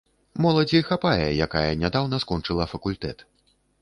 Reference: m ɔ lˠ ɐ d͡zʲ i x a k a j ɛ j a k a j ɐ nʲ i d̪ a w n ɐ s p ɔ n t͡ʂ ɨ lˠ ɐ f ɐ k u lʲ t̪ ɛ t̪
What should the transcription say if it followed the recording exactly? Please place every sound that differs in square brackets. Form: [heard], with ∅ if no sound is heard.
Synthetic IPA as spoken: m ɔ lˠ ɐ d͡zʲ i x a [p] a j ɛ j a k a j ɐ nʲ [a] d̪ a w n ɐ s [k] ɔ n t͡ʂ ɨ lˠ ɐ f ɐ k u lʲ t̪ ɛ t̪